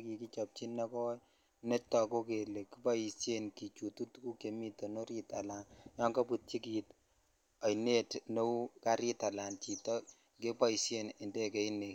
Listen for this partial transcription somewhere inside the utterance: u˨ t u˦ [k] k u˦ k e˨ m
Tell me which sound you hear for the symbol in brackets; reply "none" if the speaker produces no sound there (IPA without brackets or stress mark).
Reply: t